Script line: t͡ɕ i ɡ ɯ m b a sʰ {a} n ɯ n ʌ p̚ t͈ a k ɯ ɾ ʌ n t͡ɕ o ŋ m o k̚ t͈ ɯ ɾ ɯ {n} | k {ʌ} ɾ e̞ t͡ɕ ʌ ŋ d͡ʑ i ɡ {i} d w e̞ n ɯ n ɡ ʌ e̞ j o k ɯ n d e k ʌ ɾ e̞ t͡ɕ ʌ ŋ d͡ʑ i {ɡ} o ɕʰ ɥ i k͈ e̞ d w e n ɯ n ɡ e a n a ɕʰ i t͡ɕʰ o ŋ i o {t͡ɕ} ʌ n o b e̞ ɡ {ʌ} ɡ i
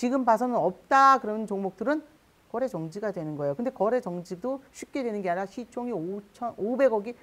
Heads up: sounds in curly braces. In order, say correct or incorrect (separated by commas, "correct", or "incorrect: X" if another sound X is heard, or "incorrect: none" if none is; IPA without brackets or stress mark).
incorrect: ʌ, correct, correct, incorrect: a, incorrect: d, incorrect: t͡ɕʰ, correct